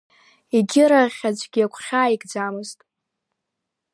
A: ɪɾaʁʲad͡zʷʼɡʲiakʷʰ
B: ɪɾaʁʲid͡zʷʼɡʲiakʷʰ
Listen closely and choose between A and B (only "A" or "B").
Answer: A